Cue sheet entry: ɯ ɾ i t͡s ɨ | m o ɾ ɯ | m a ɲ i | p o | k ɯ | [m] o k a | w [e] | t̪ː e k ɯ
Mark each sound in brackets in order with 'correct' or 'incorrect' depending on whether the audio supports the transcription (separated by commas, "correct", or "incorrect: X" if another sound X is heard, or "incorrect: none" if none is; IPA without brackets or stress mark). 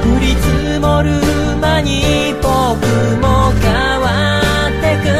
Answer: correct, incorrect: a